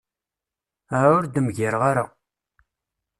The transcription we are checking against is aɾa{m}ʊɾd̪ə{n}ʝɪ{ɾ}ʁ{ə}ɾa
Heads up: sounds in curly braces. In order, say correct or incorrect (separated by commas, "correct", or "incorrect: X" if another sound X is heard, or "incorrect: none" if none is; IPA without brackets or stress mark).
incorrect: none, incorrect: m, correct, incorrect: a